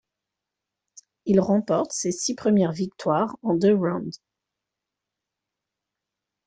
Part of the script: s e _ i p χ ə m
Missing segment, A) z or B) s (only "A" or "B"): B